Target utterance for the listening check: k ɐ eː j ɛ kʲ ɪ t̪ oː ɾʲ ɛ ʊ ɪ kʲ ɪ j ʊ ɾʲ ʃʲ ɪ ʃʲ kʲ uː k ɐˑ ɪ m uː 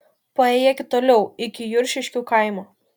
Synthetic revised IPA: p ɐ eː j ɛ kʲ ɪ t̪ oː lʲ ɛ ʊ ɪ kʲ ɪ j ʊ ɾʲ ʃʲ ɪ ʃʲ kʲ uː k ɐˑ ɪ m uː